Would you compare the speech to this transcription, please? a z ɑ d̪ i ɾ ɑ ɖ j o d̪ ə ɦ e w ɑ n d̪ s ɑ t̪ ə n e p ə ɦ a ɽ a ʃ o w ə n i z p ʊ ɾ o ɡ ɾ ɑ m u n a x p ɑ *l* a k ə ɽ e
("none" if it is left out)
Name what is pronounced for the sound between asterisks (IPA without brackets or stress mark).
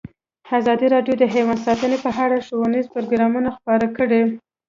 ɾ